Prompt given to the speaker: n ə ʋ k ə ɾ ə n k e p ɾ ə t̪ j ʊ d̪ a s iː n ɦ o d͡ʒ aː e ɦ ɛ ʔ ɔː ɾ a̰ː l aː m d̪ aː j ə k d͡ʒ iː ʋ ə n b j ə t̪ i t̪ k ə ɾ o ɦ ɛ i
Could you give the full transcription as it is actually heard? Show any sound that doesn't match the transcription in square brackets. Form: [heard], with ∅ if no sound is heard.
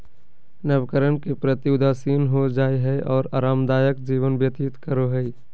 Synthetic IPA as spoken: n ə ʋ k ə ɾ ə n k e p ɾ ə t̪ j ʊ d̪ a s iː n ɦ o d͡ʒ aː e ɦ ɛ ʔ ɔː ɾ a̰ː [ɾ] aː m d̪ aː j ə k d͡ʒ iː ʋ ə n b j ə t̪ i t̪ k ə ɾ o ɦ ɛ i

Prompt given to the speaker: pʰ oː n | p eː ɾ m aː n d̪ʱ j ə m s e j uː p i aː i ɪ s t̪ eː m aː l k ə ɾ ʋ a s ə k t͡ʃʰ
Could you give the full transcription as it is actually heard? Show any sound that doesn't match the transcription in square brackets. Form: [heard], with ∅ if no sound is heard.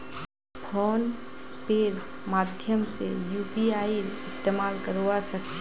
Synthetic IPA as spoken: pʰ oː n | p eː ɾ m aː [∅] d̪ʱ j ə m s e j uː p i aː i ɪ s t̪ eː m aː l k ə ɾ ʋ a s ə k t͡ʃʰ

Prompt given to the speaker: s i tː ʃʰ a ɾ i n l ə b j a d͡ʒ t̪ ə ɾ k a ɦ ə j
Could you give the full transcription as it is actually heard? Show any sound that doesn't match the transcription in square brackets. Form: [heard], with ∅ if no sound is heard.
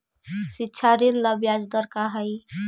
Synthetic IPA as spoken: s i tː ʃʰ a ɾ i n l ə b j a d͡ʒ [d̪] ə ɾ k a ɦ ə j

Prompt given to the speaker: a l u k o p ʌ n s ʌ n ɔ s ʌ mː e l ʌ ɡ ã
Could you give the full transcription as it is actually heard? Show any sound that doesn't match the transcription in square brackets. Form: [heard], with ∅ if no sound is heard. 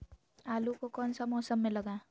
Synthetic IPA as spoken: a l u k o [k] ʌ n s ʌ [m] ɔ s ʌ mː e l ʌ ɡ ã

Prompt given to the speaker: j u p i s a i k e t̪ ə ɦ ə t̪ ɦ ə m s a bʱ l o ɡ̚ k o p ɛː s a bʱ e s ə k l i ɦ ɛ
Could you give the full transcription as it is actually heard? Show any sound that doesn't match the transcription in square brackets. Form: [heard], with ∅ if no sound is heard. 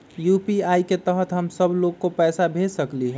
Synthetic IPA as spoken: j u p i [∅] a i k e t̪ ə ɦ ə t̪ ɦ ə m s [ə] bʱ l o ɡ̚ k o p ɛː s a bʱ e s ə k l i ɦ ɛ

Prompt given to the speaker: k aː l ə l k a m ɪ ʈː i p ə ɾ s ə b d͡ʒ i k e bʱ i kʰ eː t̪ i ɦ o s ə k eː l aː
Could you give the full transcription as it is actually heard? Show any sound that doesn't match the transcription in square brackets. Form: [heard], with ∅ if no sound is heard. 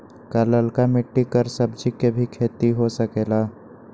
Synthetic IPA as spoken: k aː l ə l k a m ɪ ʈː i [k] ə ɾ s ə b d͡ʒ i k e bʱ i kʰ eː t̪ i ɦ o s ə k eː l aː

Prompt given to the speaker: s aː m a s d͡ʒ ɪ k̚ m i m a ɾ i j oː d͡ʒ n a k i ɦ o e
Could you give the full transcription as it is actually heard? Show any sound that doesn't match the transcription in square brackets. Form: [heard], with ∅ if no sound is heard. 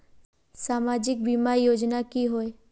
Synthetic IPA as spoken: s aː m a [∅] d͡ʒ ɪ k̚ [b] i m a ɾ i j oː d͡ʒ n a k i ɦ o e

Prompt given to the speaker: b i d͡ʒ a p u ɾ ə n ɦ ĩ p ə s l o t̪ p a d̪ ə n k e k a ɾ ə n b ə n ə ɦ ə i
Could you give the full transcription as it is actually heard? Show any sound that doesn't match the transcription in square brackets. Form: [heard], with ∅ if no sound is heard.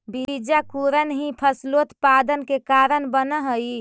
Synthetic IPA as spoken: b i d͡ʒ a [k] u ɾ ə n ɦ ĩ [pʰ] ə s l o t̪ p a d̪ ə n k e k a ɾ ə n b ə n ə ɦ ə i

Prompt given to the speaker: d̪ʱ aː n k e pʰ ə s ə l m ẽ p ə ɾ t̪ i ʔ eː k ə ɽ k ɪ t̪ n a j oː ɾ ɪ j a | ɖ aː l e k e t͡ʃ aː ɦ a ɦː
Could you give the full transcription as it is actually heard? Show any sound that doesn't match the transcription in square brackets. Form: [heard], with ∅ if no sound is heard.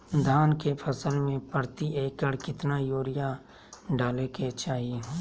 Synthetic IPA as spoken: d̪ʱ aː n k e pʰ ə s ə l m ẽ p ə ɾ t̪ i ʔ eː k ə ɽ k ɪ t̪ n a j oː ɾ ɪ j a | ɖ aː l e k e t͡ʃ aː ɦ [i] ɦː

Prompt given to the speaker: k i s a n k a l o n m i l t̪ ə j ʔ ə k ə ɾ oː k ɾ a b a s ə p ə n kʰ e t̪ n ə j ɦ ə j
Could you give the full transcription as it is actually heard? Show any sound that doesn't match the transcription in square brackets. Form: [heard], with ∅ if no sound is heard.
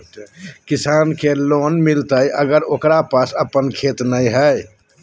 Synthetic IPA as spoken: k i s a n k [e] l o n m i l t̪ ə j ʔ ə [ɡ] ə ɾ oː k ɾ a [p] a s ə p ə n kʰ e t̪ n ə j ɦ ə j

